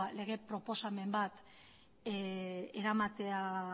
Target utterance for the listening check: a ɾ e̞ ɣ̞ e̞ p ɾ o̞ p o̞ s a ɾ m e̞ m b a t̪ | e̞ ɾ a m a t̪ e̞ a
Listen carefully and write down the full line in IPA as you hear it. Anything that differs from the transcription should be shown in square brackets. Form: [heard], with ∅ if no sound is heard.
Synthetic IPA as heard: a [l] e̞ ɣ̞ e̞ p ɾ o̞ p o̞ s a [∅] m e̞ m b a t̪ | e̞ ɾ a m a t̪ e̞ a